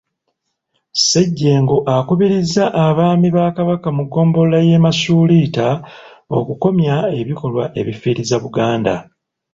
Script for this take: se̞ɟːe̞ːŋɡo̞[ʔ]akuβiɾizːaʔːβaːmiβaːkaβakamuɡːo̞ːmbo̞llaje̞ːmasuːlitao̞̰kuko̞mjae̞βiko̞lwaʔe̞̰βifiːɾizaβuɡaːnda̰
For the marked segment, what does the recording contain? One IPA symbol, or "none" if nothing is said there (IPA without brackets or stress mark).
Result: ʔ